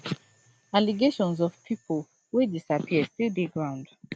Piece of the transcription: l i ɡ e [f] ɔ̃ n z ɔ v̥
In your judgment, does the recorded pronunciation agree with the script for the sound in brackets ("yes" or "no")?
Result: no